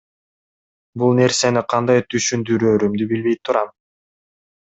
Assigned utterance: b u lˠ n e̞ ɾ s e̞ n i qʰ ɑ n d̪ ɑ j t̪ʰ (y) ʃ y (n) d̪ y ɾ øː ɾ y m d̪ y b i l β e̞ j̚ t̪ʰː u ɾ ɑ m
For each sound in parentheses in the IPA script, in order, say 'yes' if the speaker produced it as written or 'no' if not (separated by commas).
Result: yes, yes